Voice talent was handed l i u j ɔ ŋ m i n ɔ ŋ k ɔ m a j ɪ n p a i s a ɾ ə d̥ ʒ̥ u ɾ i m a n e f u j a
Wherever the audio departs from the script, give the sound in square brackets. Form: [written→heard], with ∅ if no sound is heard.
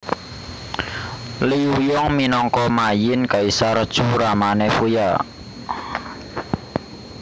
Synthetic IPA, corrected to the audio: l i u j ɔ ŋ m i n ɔ ŋ k ɔ m a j ɪ n [p→k] a i s a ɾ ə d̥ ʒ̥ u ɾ [i→a] m a n e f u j a